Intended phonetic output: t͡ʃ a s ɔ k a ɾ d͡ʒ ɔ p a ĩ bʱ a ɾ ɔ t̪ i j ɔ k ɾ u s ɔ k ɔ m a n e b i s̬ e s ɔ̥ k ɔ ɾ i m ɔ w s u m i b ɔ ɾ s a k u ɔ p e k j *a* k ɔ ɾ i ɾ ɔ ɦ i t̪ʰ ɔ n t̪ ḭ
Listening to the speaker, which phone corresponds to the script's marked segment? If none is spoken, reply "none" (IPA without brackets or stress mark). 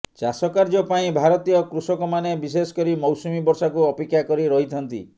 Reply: a